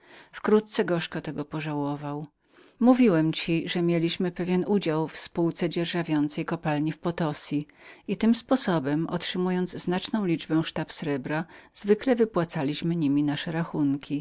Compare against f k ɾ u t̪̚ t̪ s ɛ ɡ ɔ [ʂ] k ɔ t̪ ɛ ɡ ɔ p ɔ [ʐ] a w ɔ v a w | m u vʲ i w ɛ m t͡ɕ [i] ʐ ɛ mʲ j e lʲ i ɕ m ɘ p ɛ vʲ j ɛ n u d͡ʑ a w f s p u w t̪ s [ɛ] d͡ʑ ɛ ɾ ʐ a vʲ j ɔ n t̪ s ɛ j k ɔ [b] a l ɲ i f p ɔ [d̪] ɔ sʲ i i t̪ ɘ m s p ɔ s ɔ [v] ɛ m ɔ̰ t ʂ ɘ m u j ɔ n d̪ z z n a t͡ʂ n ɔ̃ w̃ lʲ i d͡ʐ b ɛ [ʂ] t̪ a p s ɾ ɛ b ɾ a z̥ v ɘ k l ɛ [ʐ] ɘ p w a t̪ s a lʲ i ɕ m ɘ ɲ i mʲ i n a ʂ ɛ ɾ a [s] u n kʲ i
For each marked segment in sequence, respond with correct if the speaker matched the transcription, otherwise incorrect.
correct, correct, correct, correct, incorrect: p, incorrect: t̪, incorrect: b, correct, incorrect: v, incorrect: x

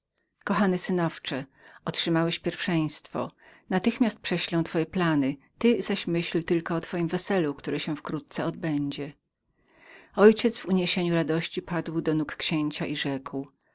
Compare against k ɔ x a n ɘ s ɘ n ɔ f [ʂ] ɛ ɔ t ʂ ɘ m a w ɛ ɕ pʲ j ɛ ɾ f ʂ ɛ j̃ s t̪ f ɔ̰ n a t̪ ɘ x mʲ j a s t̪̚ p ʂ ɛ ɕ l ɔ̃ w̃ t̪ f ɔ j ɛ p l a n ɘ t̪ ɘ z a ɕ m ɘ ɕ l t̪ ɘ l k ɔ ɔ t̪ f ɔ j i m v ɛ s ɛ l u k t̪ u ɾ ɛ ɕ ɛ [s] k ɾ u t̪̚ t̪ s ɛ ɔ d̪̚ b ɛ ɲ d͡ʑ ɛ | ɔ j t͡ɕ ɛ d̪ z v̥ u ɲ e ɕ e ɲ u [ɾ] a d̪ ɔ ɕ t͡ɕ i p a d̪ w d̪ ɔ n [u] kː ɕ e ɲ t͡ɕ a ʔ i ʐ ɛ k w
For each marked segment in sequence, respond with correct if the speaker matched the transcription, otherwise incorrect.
incorrect: t͡ʂ, incorrect: f, correct, correct

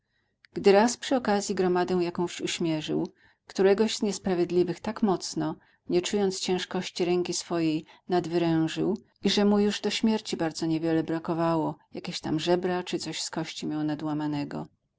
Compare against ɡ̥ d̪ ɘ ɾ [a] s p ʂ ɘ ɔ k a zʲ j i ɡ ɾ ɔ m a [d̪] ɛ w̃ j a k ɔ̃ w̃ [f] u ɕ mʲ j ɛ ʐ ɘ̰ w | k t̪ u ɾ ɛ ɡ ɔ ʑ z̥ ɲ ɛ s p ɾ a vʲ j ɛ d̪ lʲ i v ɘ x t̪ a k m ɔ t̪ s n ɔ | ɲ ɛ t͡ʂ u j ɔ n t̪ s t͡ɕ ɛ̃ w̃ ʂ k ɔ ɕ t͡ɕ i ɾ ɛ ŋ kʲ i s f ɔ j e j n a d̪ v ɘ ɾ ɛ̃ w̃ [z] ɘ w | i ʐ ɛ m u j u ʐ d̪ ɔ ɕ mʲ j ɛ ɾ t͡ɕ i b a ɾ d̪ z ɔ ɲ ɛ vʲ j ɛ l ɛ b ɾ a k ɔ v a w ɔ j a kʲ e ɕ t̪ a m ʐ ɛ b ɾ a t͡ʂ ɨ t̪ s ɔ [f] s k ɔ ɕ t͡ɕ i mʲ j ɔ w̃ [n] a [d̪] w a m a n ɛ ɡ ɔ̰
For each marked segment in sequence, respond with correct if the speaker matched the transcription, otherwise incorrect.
correct, correct, incorrect: ɕ, incorrect: ʐ, incorrect: ɕ, correct, correct

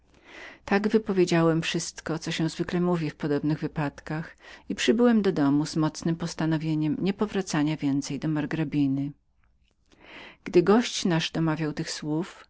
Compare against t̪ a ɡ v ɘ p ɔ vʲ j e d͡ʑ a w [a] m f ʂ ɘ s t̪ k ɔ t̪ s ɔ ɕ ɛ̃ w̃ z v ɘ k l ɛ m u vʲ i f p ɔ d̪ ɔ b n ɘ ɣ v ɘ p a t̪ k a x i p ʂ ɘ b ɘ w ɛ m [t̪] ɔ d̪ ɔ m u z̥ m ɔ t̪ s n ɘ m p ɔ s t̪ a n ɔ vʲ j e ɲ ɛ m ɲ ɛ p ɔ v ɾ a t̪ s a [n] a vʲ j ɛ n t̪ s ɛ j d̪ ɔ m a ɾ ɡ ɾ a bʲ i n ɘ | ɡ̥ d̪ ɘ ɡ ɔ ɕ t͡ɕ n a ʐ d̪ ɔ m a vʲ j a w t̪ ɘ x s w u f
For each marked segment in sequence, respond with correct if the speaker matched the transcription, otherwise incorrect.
incorrect: ɛ, incorrect: d̪, incorrect: ɲ

